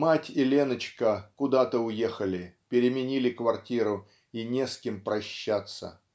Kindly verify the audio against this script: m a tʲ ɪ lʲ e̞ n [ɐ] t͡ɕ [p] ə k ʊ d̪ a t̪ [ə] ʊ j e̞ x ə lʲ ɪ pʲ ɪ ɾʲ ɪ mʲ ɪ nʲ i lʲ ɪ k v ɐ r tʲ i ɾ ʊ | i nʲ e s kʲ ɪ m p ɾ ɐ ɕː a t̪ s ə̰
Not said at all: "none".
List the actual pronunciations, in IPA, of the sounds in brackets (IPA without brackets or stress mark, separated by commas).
ə, k, ə